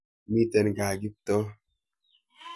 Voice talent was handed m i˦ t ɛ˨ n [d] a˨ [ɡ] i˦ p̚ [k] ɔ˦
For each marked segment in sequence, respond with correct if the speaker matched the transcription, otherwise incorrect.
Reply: incorrect, correct, incorrect

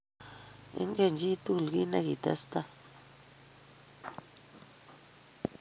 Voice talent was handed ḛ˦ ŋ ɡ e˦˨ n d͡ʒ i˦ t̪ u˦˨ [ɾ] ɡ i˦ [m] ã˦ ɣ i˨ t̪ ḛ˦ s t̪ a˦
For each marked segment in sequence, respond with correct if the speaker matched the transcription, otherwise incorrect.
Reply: incorrect, incorrect

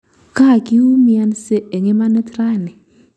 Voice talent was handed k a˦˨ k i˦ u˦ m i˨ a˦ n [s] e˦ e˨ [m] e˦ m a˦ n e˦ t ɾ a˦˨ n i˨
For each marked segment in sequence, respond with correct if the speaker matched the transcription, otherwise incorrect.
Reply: correct, incorrect

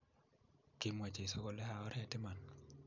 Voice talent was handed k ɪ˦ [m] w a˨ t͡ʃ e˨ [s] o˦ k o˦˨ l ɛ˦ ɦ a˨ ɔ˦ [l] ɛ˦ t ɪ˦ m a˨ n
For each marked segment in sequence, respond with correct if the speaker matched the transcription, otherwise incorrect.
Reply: correct, correct, incorrect

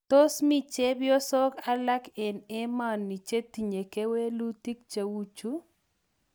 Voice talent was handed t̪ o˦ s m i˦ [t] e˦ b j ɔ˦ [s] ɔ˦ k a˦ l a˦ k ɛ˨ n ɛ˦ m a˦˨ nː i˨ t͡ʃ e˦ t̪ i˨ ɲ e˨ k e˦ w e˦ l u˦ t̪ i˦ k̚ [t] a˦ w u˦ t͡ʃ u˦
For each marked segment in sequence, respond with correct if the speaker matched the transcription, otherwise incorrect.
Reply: incorrect, correct, incorrect

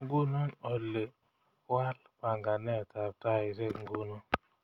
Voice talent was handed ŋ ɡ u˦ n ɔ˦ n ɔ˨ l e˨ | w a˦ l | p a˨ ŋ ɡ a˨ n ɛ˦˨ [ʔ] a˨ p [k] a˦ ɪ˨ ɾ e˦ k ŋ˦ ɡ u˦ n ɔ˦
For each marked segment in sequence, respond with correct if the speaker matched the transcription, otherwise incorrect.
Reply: incorrect, incorrect

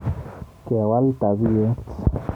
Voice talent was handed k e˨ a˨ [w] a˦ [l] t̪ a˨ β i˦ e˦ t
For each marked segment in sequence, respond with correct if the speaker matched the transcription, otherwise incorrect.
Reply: correct, correct

